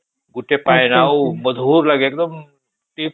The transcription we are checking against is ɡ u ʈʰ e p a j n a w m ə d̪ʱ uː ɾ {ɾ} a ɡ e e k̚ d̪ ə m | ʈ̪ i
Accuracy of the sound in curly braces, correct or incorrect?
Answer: incorrect